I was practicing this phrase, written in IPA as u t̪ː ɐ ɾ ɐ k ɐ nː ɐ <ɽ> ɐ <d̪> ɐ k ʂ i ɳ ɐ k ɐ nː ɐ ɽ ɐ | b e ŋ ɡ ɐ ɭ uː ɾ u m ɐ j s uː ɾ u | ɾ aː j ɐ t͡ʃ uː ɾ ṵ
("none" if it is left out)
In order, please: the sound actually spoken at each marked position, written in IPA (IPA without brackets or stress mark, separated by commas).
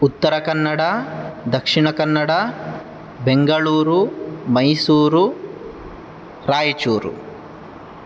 ɽ, d̪